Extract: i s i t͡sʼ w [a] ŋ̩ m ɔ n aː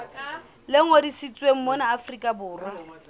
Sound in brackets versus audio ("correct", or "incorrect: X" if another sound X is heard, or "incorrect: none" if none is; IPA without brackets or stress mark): incorrect: e